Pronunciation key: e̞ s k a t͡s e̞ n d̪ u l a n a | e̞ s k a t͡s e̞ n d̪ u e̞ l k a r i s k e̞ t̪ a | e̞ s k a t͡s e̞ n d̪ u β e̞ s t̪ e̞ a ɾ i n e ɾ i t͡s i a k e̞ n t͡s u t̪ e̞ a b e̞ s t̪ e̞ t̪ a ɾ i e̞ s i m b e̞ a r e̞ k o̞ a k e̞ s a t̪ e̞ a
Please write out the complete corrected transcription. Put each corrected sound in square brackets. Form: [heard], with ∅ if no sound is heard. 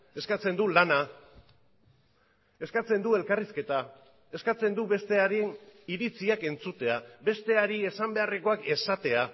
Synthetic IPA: e̞ s k a t͡s e̞ n d̪ u l a n a | e̞ s k a t͡s e̞ n d̪ u e̞ l k a r i s k e̞ t̪ a | e̞ s k a t͡s e̞ n d̪ u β e̞ s t̪ e̞ a ɾ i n [i] ɾ i t͡s i a k e̞ n t͡s u t̪ e̞ a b e̞ s t̪ e̞ [∅] a ɾ i e̞ s [a] m b e̞ a r e̞ k o̞ a k e̞ s a t̪ e̞ a